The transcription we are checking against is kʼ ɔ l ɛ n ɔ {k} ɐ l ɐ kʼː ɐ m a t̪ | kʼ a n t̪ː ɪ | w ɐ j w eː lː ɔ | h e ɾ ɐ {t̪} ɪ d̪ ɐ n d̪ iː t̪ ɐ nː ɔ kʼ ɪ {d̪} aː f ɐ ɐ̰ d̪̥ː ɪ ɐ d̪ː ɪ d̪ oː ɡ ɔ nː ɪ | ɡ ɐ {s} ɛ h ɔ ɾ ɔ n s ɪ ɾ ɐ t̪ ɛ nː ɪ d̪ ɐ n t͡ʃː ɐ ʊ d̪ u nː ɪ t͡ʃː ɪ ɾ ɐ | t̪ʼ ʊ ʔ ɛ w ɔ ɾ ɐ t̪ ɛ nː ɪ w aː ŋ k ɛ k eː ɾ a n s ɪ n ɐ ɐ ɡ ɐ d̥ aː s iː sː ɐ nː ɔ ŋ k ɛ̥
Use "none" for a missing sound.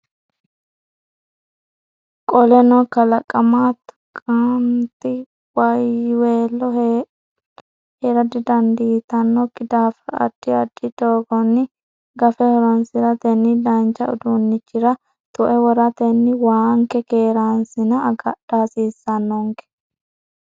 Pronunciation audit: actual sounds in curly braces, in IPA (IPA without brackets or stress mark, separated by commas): k, d̪, d̪, f